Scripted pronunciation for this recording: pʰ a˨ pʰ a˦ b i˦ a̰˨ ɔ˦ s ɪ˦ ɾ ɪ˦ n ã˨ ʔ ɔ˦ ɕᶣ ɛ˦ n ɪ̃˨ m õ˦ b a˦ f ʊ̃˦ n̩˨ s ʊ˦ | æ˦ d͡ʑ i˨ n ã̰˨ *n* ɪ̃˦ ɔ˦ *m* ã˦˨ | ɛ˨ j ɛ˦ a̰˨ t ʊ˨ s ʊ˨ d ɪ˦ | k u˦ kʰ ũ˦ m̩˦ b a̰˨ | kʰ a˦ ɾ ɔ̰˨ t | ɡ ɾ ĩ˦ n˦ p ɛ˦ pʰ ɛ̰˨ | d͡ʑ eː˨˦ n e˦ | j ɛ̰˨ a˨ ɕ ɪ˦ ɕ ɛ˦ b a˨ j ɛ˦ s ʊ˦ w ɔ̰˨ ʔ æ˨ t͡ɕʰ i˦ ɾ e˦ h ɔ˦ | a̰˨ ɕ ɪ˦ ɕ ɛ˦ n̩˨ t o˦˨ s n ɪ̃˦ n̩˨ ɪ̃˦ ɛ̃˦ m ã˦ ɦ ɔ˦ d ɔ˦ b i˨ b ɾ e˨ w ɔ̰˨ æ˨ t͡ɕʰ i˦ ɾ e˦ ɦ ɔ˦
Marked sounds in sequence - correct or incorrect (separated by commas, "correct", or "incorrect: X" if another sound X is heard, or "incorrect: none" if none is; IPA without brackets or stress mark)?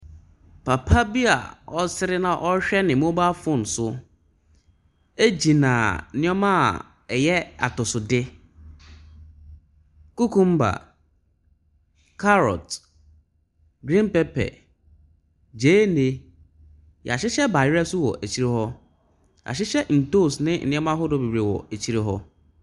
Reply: correct, correct